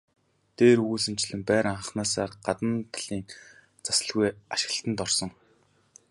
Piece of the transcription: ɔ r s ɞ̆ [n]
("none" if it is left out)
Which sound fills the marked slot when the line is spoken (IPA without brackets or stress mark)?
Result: ŋ